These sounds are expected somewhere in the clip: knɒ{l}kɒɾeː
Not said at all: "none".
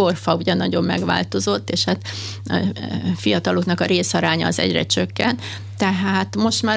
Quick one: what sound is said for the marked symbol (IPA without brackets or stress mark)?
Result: none